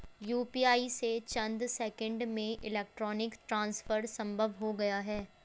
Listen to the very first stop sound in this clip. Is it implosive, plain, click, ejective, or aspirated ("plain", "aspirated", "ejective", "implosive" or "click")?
plain